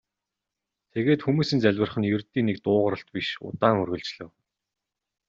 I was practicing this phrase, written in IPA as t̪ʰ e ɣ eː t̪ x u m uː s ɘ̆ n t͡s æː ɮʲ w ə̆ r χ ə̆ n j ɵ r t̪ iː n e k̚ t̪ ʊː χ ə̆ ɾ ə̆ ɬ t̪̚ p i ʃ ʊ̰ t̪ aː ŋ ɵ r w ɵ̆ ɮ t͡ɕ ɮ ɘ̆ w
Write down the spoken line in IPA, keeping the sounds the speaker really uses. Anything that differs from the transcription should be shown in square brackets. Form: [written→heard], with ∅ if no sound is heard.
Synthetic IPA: t̪ʰ e ɣ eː t̪ x u m uː s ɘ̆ n t͡s [æː→æ] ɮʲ w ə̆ r χ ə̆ n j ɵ r t̪ iː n e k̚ t̪ ʊː [χ→ʁ] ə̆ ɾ ə̆ ɬ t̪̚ p i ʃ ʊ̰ t̪ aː ŋ ɵ r [w→ɣ] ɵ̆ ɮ t͡ɕ ɮ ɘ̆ w